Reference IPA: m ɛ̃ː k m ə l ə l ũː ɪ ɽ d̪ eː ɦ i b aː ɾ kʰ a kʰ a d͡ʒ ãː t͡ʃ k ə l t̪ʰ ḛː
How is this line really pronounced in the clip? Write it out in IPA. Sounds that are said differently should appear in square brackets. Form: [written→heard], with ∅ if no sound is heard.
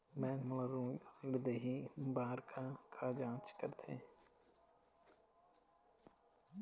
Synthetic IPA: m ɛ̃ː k m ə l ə [l→ɾ] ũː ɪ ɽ d̪ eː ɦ i b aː ɾ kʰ a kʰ a d͡ʒ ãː t͡ʃ k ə [l→ɾ] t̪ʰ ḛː